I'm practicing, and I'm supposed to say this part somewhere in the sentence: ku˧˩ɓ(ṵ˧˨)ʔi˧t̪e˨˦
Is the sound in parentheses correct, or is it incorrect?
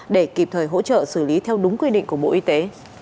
incorrect